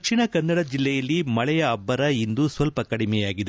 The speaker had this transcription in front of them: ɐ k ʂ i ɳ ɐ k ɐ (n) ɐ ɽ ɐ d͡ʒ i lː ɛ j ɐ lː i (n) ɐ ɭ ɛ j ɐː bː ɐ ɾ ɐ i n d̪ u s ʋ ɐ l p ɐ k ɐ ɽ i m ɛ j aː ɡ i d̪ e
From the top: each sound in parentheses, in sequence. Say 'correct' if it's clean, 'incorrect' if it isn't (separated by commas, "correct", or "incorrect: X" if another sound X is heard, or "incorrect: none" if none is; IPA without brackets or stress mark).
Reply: incorrect: nː, incorrect: m